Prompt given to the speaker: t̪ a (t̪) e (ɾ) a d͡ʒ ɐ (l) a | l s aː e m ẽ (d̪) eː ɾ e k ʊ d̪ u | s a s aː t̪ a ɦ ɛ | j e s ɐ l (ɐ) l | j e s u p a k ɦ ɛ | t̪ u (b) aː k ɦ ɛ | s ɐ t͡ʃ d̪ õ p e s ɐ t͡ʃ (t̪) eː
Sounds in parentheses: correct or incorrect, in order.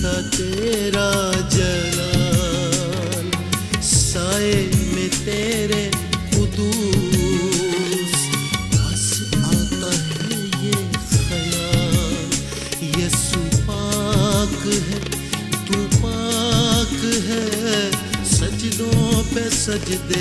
correct, correct, correct, incorrect, incorrect, incorrect, incorrect

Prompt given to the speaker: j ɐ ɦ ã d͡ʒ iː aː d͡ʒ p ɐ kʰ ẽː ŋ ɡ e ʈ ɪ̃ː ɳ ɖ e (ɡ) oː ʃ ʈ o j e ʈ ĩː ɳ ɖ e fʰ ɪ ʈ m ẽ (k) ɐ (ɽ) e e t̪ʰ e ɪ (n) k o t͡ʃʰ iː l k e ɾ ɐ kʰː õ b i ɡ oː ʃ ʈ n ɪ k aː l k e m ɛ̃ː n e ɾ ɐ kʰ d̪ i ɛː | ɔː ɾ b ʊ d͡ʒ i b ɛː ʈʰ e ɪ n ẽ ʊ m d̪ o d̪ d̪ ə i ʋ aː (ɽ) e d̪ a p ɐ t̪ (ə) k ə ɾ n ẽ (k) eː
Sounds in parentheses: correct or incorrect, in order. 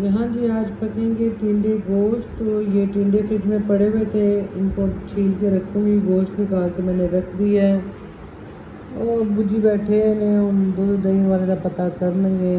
correct, incorrect, correct, correct, incorrect, incorrect, incorrect

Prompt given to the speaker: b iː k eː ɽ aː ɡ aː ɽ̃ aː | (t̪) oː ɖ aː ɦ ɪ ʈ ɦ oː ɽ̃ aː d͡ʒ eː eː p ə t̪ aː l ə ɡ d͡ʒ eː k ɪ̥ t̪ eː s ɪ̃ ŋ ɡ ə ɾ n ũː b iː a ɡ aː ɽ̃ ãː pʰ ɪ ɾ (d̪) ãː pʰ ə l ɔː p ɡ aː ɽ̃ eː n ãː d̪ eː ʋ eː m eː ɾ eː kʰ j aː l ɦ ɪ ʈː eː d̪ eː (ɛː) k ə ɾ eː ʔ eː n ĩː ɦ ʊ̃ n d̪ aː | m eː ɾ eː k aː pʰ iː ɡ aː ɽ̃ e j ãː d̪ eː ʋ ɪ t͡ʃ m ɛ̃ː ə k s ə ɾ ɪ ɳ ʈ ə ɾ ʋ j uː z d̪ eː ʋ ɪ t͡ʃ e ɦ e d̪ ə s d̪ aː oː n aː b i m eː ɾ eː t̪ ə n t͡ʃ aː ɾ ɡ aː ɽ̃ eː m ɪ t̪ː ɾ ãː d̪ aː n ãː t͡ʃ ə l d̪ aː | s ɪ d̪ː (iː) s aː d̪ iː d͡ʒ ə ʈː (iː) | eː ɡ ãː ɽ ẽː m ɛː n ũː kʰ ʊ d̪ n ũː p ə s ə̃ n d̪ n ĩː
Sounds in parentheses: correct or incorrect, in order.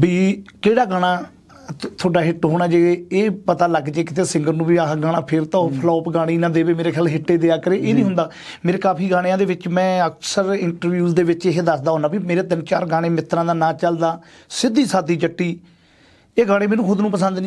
incorrect, incorrect, incorrect, correct, correct

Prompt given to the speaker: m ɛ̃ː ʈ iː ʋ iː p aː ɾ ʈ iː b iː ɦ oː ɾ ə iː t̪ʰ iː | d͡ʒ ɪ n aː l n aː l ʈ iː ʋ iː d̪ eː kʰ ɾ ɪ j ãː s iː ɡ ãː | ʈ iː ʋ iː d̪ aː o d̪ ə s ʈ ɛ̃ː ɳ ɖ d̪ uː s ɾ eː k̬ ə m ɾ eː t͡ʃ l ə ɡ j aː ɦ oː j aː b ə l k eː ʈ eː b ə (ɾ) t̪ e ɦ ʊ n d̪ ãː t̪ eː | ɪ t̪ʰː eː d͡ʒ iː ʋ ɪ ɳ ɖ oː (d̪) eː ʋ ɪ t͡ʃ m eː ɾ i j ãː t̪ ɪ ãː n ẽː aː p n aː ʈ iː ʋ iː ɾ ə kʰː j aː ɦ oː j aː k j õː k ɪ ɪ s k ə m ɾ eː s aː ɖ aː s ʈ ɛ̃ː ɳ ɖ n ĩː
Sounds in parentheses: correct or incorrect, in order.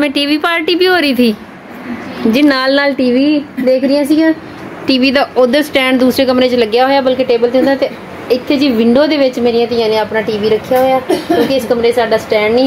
incorrect, correct

